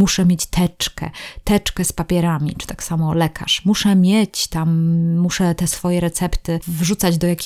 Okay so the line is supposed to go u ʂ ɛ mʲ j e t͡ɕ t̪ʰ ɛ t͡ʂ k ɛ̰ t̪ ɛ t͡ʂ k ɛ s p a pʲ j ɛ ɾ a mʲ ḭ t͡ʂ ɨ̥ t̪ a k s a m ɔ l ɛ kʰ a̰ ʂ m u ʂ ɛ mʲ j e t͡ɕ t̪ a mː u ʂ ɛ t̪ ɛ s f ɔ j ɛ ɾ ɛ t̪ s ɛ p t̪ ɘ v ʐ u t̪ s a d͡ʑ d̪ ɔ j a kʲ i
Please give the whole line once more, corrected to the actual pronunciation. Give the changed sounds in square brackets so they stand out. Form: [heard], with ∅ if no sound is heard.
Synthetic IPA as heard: u ʂ ɛ mʲ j e t͡ɕ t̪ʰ ɛ t͡ʂ k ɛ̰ t̪ ɛ t͡ʂ k ɛ s p a pʲ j ɛ ɾ a mʲ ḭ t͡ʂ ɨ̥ t̪ a k s a m ɔ l ɛ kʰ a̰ ʂ m u ʂ ɛ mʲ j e t͡ɕ t̪ a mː u ʂ ɛ t̪ ɛ s f ɔ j ɛ ɾ ɛ t̪ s ɛ p t̪ ɘ v ʐ u t̪ s a d͡ʑ d̪ ɔ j a kʲ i